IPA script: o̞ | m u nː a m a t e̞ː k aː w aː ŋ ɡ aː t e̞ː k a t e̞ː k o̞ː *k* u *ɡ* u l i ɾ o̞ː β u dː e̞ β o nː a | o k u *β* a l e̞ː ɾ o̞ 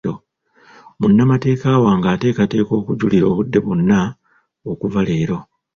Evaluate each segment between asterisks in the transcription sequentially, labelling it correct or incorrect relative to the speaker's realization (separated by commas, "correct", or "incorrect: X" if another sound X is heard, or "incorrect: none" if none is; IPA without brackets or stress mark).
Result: correct, incorrect: ɟ, incorrect: v